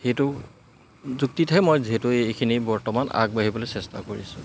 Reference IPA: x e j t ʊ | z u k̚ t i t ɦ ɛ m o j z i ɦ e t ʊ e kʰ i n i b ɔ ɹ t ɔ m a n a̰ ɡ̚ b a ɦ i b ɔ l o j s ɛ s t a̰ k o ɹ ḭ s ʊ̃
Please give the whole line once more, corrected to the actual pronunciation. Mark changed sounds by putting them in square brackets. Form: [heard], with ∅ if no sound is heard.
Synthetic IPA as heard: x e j t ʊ | z u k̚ t i t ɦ ɛ m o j z i ɦ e t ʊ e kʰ i n i b ɔ ɹ t ɔ m a n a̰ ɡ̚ b a ɦ i b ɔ l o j s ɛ s t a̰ k o ɹ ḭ s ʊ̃